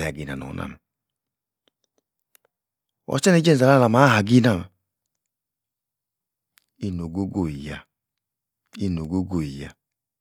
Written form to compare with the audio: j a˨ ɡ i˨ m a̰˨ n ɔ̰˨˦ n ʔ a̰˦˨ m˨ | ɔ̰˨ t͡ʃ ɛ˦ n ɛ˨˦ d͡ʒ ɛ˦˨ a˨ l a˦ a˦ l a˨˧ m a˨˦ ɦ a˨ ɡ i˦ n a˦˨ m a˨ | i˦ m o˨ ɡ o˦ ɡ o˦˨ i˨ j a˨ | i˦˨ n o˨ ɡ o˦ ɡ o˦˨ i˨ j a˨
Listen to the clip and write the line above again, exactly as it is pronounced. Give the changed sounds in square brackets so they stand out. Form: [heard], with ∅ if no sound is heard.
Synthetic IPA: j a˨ ɡ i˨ [n] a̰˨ n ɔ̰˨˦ n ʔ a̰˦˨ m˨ | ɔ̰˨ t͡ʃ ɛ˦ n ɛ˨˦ d͡ʒ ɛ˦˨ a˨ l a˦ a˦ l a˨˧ m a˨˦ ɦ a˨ ɡ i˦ n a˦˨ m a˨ | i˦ [n] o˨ ɡ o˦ ɡ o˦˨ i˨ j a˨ | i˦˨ n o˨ ɡ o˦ ɡ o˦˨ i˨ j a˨